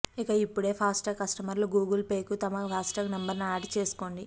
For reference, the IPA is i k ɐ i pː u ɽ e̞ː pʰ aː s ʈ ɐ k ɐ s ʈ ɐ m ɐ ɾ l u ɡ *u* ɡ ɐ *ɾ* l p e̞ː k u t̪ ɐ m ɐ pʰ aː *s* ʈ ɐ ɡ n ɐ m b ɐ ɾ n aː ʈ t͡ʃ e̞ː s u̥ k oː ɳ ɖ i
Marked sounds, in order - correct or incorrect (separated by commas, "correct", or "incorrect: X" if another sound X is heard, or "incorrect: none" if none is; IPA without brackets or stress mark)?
incorrect: uː, incorrect: none, correct